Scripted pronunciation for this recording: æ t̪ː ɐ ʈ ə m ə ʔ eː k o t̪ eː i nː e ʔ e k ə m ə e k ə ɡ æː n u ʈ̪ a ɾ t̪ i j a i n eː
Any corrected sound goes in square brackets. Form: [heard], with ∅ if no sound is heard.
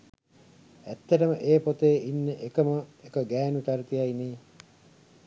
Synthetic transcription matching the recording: æ t̪ː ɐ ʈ ə m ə ʔ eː [p] o t̪ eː i nː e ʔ e k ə m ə e k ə ɡ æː n u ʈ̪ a ɾ t̪ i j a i n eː